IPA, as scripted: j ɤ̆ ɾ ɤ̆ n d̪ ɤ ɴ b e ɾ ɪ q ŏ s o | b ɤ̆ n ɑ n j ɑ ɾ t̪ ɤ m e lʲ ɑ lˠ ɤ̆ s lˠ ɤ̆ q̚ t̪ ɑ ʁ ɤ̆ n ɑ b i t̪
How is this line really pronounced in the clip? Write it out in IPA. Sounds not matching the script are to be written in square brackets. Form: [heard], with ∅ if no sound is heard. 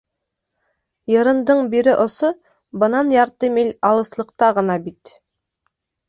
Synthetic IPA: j ɤ̆ ɾ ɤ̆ n d̪ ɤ ɴ b [i] ɾ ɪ [ʔ] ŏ s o | b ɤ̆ n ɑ n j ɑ ɾ t̪ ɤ m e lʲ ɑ lˠ ɤ̆ s lˠ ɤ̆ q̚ t̪ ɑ ʁ ɤ̆ n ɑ b i t̪